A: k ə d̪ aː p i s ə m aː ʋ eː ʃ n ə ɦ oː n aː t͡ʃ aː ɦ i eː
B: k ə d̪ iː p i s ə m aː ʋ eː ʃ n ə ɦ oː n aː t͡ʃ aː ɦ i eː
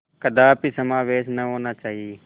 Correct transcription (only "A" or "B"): A